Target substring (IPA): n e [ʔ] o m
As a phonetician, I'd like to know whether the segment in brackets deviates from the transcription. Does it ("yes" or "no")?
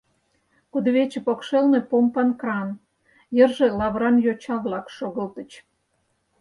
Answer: yes